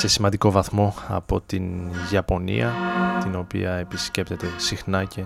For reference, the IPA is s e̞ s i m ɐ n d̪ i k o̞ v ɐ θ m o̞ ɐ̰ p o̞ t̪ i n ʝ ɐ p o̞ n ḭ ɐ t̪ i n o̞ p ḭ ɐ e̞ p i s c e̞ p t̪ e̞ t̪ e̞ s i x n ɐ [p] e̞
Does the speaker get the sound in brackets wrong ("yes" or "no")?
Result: yes